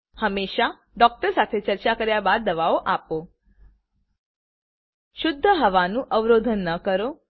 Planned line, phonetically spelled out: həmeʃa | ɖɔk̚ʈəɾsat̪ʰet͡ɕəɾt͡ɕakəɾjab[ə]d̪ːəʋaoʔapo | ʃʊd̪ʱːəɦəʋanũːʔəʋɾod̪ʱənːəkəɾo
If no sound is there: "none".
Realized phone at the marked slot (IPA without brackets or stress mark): a